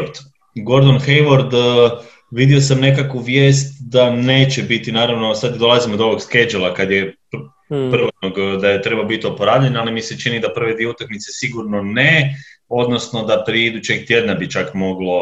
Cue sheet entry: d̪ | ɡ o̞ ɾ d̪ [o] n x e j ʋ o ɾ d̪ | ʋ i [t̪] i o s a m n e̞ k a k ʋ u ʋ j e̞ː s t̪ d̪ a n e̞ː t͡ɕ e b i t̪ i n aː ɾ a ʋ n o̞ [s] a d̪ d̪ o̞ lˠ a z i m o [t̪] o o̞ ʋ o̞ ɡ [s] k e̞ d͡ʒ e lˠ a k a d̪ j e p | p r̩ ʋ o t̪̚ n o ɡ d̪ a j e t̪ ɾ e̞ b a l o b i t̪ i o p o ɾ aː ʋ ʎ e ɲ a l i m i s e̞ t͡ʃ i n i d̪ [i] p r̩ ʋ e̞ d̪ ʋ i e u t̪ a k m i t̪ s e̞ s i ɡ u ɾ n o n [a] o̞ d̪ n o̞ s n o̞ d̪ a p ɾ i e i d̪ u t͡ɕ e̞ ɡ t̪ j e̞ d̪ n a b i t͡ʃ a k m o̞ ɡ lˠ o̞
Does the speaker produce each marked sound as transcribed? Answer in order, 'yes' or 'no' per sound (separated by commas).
yes, no, yes, no, yes, no, no